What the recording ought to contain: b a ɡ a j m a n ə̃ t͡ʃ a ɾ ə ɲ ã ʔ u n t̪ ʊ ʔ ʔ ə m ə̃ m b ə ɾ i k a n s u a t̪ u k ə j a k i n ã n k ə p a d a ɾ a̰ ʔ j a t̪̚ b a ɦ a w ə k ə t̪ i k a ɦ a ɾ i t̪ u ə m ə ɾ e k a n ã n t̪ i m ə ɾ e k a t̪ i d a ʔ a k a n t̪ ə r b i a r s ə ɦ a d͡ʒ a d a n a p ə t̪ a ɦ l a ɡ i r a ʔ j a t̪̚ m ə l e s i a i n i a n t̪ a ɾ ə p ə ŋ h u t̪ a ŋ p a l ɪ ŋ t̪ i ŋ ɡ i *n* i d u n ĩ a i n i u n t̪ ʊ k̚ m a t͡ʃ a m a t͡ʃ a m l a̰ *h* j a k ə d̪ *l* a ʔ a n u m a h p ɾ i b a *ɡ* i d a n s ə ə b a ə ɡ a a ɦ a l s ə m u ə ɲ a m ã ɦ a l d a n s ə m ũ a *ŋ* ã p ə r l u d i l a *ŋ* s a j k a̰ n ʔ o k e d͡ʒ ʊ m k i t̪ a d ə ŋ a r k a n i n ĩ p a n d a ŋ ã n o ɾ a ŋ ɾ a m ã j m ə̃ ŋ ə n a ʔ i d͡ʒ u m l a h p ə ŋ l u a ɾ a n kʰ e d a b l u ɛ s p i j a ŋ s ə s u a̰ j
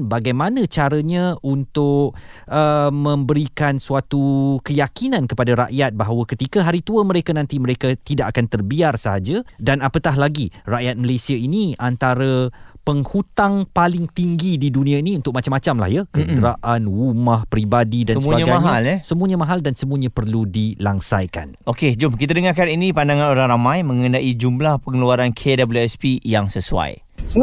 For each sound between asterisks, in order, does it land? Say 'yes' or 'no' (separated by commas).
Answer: no, yes, no, no, no, yes